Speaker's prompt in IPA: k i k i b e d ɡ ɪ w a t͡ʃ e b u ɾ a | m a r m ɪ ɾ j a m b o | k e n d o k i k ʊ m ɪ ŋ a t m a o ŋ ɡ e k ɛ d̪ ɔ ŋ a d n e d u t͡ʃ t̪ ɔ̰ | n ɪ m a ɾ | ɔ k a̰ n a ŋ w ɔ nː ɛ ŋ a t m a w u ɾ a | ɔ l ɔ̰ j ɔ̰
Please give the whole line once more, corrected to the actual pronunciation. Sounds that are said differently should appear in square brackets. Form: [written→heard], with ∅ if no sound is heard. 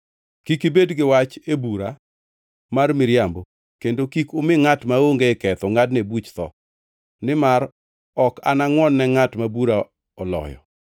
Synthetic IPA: k i k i b e d ɡ ɪ w a t͡ʃ e b u ɾ a | m a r m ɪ ɾ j a m b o | k e n d o k i k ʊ m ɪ ŋ a t m a o ŋ ɡ e k ɛ [d̪→t̪] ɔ ŋ a d n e [d→b] u t͡ʃ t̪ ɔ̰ | n ɪ m a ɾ | ɔ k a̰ n a ŋ w ɔ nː ɛ ŋ a t m a [w→b] u ɾ a | ɔ l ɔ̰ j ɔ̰